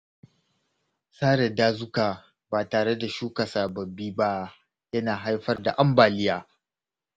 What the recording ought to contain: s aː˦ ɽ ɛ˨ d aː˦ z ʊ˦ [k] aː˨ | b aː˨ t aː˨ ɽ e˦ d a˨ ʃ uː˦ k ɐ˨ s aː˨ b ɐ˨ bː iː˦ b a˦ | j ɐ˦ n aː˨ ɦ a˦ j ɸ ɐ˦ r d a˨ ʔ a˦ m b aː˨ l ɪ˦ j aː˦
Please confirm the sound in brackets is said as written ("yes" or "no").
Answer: yes